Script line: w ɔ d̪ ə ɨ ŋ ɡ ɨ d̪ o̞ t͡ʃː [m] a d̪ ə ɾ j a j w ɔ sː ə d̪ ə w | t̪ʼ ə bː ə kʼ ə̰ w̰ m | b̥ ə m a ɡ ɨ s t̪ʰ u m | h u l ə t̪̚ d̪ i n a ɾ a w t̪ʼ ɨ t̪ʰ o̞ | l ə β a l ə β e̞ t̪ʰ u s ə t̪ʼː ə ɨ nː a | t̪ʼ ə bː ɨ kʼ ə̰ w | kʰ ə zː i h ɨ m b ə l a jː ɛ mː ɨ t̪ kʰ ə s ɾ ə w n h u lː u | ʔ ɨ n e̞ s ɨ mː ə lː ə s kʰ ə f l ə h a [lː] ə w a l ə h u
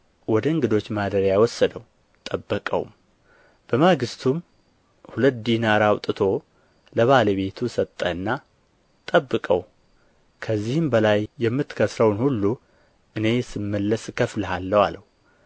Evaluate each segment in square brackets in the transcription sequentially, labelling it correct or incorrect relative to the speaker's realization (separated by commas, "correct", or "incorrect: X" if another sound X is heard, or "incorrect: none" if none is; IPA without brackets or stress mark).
correct, correct